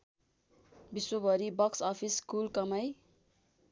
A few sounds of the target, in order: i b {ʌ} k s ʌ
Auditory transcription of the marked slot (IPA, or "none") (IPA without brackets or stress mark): ʌ